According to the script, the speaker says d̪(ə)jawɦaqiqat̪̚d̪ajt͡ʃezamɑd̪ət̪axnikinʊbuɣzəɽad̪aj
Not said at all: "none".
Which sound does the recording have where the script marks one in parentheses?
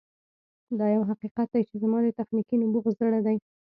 ɑ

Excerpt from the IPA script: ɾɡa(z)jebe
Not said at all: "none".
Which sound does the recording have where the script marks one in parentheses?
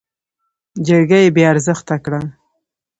none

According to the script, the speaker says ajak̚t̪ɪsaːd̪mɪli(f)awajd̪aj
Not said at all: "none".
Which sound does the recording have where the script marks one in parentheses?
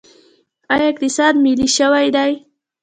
ʃ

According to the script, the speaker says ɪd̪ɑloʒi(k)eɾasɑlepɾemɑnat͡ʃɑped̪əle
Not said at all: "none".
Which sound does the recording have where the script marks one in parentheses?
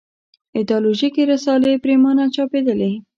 k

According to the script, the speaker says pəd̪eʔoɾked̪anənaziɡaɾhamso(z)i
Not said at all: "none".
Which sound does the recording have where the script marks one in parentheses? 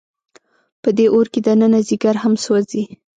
z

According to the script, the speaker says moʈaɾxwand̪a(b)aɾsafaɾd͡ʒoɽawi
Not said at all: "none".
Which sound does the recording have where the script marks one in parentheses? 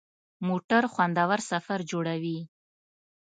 w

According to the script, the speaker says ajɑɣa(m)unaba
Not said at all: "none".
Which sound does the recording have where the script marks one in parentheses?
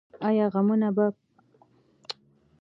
m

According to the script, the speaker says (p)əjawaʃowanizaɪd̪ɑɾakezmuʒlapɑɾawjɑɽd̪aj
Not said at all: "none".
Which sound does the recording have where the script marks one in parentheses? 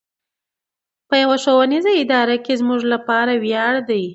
p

